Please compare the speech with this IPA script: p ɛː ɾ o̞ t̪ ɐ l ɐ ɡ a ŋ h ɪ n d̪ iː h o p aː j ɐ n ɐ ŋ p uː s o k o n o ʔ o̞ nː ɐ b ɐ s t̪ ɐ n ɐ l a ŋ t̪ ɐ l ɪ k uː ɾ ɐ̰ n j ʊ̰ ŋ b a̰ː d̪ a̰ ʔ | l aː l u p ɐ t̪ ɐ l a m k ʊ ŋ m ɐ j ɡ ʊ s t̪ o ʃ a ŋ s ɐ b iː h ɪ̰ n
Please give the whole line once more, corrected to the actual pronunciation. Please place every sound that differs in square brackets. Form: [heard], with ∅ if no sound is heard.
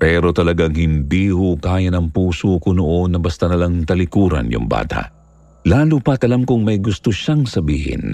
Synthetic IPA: p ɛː ɾ o̞ t̪ ɐ l ɐ ɡ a ŋ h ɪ n d̪ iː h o [k] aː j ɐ n ɐ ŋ p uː s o k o n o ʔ o̞ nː ɐ b ɐ s t̪ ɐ n ɐ l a ŋ t̪ ɐ l ɪ k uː ɾ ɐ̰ n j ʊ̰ ŋ b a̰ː [t̪] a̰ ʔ | l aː l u p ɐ t̪ ɐ l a m k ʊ ŋ m ɐ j ɡ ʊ s t̪ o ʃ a ŋ s ɐ b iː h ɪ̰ n